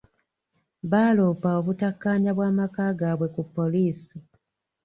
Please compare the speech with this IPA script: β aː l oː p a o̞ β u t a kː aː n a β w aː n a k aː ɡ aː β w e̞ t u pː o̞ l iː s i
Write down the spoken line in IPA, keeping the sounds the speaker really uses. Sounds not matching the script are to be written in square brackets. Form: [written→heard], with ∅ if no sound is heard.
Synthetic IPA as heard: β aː l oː p a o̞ β u t a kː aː [n→ɲ] a β w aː [n→m] a k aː ɡ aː β w e̞ [t→k] u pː o̞ l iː s i